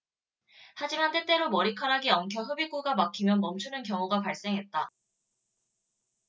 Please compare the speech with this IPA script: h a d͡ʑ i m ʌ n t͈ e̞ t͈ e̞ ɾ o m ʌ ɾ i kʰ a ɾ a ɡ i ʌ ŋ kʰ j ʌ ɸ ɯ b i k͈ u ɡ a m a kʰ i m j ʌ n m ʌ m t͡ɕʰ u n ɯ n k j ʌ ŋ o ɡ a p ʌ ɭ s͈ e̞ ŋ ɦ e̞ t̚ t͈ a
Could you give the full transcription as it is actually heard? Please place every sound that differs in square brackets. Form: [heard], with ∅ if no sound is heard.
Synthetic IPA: h a d͡ʑ i m [a] n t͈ e̞ t͈ e̞ ɾ o m ʌ ɾ i kʰ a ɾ a ɡ i ʌ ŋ kʰ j ʌ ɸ ɯ b i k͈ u ɡ a m a kʰ i m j ʌ n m ʌ m t͡ɕʰ u n ɯ n k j ʌ ŋ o ɡ a p [a] ɭ s͈ e̞ ŋ ɦ e̞ t̚ t͈ a